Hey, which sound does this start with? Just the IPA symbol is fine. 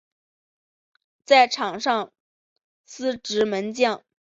t͡s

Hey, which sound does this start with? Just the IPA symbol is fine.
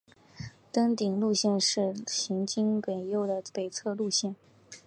t̪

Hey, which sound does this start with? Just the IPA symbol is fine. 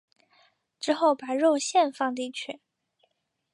ʈ͡ʂ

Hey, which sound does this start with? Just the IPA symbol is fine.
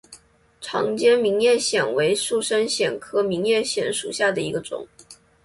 ʈ͡ʂʰ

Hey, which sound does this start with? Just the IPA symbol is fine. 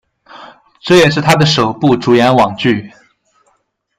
ʈ͡ʂ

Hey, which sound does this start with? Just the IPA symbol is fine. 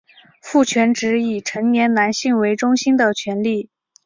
f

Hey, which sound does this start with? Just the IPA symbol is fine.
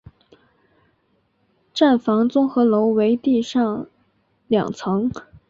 ʈ͡ʂ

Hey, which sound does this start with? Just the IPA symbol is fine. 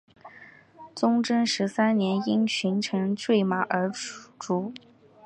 t͡s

